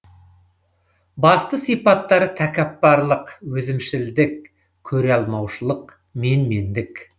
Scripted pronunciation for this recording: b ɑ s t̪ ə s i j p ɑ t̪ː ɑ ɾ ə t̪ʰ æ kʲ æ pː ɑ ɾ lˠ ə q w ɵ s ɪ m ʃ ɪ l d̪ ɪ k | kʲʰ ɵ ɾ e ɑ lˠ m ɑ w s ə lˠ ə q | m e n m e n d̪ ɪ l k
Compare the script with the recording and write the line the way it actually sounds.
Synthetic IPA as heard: b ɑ s t̪ ə s i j p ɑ t̪ː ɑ ɾ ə t̪ʰ æ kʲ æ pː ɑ ɾ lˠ ə q w ɵ z ɪ m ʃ ɪ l d̪ ɪ k | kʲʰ ɵ ɾ e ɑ lˠ m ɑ w ʃ ə lˠ ə q | m e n m e n d̪ ɪ k